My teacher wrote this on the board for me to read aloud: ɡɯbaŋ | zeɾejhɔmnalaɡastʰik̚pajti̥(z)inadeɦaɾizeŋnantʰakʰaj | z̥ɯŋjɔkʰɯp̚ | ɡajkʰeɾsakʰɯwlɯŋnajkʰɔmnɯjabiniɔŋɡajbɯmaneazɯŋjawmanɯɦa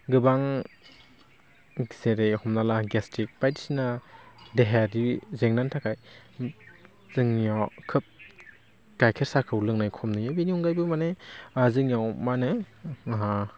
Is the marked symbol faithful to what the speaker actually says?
no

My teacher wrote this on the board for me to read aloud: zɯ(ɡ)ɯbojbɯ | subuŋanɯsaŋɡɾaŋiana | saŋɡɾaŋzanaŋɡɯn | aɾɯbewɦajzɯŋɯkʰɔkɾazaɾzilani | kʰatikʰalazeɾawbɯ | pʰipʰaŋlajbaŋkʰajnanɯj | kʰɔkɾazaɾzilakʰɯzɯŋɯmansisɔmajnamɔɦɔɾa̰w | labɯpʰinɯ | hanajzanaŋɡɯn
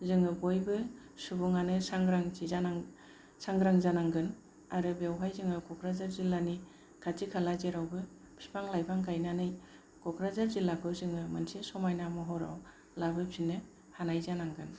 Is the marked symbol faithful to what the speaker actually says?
no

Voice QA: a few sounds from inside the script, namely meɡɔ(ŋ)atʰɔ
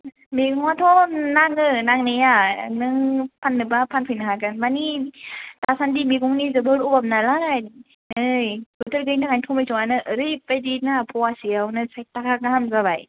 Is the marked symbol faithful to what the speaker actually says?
yes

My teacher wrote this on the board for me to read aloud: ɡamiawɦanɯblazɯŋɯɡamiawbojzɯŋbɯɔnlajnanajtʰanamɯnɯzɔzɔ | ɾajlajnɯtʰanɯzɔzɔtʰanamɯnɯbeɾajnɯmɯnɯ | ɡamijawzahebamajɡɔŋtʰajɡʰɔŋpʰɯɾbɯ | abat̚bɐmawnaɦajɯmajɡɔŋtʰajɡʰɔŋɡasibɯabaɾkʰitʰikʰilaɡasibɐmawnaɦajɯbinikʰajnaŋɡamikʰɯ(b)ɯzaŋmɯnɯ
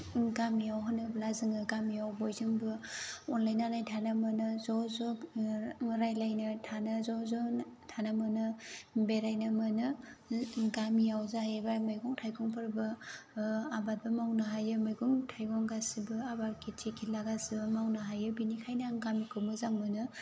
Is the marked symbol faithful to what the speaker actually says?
no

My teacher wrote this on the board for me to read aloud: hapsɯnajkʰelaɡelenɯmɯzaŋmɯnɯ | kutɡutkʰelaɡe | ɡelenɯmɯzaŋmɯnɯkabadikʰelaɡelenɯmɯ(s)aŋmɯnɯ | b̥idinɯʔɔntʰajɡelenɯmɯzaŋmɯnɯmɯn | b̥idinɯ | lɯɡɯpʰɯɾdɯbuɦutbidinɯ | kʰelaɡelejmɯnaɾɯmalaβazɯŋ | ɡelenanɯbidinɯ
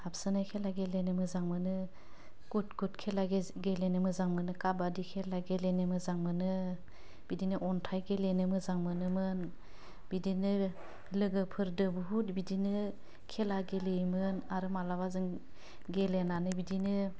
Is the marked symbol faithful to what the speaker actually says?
no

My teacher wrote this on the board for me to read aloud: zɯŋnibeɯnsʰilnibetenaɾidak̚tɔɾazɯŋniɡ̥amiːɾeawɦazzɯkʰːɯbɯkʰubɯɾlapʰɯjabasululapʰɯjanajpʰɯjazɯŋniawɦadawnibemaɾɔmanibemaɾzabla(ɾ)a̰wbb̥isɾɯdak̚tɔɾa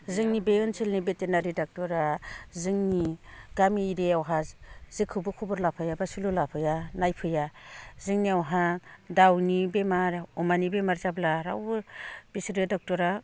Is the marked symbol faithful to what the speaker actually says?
yes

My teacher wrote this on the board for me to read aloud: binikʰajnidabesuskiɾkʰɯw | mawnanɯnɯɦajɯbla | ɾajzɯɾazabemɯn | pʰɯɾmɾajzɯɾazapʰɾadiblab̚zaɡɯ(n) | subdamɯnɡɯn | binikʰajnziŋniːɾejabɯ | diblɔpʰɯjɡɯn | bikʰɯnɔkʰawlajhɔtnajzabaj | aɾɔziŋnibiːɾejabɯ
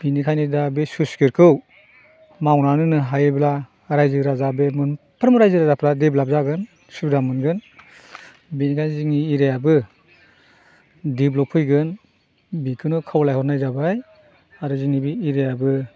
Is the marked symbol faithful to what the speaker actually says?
yes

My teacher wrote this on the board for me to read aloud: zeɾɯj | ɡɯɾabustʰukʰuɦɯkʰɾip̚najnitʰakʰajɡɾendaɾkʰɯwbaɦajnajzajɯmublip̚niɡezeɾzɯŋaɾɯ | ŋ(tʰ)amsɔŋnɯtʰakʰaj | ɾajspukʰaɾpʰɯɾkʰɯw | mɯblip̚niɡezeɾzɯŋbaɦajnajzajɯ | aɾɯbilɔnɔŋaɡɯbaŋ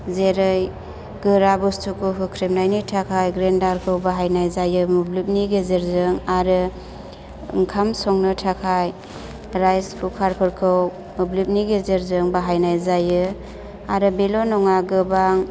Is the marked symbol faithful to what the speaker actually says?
no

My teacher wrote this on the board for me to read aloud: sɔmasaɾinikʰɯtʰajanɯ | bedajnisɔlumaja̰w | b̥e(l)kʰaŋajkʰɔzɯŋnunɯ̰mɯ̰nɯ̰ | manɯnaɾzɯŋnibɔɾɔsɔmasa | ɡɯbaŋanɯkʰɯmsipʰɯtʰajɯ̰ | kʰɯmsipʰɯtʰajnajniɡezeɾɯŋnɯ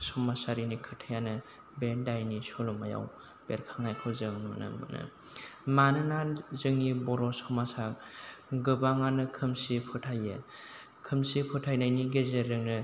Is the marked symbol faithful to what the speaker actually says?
no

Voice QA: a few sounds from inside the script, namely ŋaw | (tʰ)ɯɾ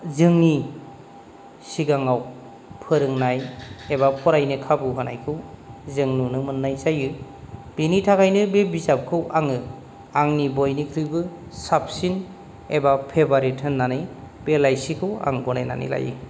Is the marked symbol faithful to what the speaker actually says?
no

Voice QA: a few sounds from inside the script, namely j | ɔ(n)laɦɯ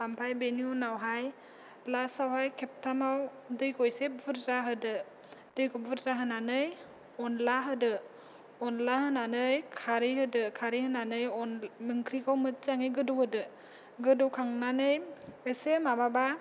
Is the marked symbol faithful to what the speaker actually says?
yes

